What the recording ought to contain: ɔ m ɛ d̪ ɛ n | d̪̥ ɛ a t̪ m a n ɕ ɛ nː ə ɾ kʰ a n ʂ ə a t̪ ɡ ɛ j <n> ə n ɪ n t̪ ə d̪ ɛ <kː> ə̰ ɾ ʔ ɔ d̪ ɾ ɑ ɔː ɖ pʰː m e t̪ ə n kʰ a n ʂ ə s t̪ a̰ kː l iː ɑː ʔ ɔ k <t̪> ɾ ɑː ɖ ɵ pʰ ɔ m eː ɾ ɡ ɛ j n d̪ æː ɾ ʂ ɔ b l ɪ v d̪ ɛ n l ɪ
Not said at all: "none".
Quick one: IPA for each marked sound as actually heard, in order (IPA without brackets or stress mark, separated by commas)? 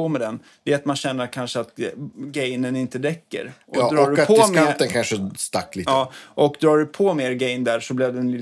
n, kː, d̪